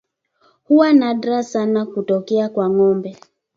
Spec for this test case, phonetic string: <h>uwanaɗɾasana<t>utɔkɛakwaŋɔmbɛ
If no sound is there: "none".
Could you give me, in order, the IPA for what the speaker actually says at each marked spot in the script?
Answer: h, k

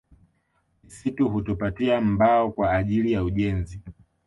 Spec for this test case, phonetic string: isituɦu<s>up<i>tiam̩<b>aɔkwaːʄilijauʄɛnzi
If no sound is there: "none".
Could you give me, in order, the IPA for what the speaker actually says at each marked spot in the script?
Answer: t, a, b

